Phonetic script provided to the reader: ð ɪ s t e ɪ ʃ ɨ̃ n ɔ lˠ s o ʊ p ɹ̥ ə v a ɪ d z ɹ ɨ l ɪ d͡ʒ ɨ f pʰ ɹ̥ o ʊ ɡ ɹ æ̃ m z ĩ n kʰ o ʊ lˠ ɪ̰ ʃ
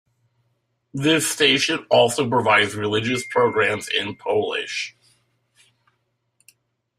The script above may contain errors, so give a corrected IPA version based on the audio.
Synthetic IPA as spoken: ð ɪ s t e ɪ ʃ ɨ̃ n ɔ lˠ s o ʊ p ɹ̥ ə v a ɪ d z ɹ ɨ l ɪ d͡ʒ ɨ s pʰ ɹ̥ o ʊ ɡ ɹ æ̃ m z ɪ̃ n pʰ o ʊ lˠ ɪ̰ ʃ